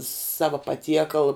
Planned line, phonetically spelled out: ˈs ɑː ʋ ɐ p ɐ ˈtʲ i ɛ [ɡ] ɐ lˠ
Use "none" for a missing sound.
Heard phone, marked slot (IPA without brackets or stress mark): k